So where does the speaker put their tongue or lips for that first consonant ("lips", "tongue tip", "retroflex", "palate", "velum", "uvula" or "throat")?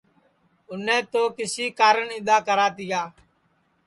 tongue tip